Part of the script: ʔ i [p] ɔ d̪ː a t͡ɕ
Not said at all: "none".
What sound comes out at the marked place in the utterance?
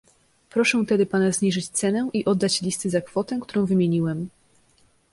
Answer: ʔ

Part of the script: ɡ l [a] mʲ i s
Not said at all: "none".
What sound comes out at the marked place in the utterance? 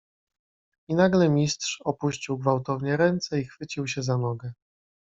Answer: ɛ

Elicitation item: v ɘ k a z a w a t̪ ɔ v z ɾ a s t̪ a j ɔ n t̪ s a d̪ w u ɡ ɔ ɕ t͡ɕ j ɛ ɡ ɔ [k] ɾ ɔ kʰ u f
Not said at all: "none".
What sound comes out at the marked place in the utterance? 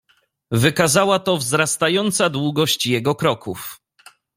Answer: k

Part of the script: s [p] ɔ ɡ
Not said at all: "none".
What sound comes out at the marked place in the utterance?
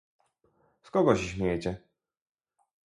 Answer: k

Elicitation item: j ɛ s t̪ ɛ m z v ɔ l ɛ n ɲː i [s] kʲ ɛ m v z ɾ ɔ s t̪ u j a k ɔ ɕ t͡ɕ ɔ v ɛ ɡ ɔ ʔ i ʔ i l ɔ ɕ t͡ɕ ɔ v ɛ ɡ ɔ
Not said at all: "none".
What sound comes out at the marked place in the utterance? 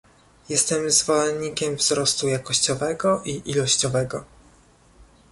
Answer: none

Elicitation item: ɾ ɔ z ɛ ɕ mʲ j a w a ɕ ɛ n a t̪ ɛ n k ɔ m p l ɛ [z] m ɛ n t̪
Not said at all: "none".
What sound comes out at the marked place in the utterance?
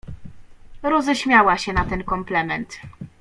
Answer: none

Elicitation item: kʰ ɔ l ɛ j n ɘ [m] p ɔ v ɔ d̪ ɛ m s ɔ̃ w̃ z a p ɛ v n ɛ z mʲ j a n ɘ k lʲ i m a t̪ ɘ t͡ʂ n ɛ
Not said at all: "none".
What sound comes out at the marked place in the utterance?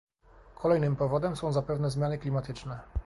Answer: m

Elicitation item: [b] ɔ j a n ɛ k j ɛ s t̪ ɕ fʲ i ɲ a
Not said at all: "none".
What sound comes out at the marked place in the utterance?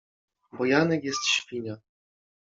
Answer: b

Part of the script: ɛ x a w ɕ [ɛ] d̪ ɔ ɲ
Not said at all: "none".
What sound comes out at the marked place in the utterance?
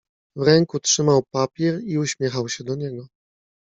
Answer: ɛ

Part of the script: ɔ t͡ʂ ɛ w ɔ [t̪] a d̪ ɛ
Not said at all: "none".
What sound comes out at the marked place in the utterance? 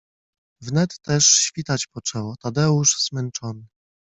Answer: t̪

